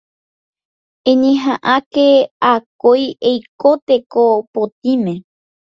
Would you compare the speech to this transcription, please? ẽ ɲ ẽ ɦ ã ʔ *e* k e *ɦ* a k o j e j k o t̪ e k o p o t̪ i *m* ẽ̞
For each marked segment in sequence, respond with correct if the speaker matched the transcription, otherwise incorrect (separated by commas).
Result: incorrect, incorrect, correct